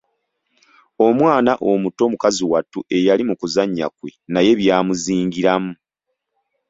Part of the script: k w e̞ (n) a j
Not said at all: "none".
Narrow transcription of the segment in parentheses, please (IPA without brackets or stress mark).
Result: n